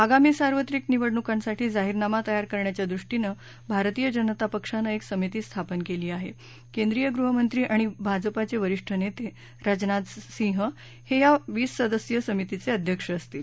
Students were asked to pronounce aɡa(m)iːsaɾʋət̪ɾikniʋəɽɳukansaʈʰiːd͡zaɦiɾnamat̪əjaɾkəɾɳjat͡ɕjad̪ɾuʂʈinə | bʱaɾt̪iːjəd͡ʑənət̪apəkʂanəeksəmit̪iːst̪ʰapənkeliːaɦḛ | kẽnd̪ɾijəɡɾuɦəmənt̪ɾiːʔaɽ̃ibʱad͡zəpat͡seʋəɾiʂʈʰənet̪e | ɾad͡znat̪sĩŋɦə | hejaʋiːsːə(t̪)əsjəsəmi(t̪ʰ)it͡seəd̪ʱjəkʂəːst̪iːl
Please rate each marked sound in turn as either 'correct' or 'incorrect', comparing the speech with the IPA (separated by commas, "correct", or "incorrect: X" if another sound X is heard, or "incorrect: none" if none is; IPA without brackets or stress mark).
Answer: correct, incorrect: d̪, incorrect: t̪